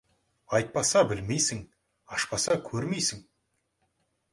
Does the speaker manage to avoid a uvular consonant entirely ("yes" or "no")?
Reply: yes